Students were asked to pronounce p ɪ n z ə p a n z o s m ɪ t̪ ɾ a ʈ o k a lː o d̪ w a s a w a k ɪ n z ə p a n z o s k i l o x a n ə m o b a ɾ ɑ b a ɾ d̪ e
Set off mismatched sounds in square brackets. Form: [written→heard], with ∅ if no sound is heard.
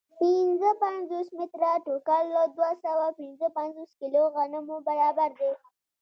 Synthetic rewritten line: p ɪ n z ə p a n z o s m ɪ t̪ ɾ a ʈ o k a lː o d̪ w a s a w a [k→p] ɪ n z ə p a n z o s k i l o [x→ɣ] a n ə m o b a ɾ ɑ b a ɾ d̪ e